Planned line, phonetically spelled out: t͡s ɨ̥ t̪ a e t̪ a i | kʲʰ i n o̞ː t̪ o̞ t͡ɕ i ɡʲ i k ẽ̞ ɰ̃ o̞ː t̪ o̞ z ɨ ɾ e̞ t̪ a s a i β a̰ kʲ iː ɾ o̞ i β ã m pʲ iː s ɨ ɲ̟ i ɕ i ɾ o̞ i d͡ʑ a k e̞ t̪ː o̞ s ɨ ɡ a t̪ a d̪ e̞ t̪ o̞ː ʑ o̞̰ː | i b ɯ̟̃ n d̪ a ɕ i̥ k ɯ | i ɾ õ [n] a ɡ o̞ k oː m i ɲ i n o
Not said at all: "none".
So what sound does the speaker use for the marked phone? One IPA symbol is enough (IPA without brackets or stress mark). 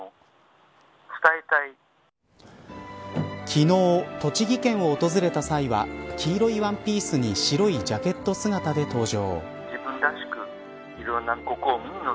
nː